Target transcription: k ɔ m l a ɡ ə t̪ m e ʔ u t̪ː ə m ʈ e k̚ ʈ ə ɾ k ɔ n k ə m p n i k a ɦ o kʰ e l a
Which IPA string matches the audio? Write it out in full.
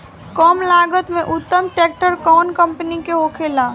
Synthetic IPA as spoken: k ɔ m l a ɡ ə t̪ m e ʔ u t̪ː ə m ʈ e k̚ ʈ ə ɾ k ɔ n k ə m p n i k e ɦ o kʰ e l a